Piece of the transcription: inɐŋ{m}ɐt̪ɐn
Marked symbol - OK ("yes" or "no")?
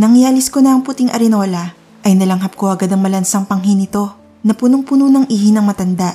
yes